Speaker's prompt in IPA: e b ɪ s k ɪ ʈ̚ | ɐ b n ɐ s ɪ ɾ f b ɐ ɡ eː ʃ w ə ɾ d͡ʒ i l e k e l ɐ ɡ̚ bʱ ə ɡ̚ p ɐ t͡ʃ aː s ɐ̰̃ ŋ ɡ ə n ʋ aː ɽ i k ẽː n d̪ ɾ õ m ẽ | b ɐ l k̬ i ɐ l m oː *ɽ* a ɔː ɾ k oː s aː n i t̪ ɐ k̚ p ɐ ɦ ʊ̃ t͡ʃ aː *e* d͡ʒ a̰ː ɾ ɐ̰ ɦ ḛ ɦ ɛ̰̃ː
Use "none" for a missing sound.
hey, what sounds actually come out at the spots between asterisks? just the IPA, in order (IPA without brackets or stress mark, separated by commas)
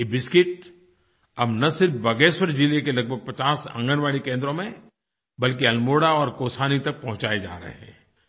ɽ, e